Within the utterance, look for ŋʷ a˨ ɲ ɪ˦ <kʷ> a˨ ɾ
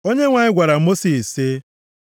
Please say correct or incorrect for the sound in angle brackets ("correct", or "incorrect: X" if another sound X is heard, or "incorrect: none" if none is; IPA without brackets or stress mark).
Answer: incorrect: ɡʷ